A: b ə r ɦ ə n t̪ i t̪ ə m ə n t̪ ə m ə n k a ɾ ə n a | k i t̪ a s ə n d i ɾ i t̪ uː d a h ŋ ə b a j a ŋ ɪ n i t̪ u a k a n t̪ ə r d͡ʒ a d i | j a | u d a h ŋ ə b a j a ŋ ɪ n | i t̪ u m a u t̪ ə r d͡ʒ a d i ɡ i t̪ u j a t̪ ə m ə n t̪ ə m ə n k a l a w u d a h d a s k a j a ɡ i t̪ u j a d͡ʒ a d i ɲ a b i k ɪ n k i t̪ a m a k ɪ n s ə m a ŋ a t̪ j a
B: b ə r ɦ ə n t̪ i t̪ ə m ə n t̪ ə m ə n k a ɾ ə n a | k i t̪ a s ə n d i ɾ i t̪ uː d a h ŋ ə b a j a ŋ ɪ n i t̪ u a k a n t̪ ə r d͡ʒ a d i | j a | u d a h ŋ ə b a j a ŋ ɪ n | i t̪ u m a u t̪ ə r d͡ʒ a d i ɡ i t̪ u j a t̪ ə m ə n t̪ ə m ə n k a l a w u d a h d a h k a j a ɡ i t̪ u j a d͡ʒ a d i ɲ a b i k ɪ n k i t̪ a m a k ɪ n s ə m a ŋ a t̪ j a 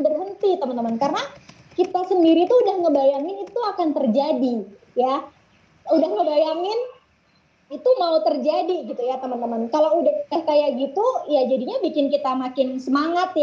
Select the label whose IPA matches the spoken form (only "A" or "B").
B